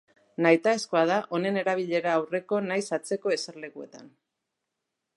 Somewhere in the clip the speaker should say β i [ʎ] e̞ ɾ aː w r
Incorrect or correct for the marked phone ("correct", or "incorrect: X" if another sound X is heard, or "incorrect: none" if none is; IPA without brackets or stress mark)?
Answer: correct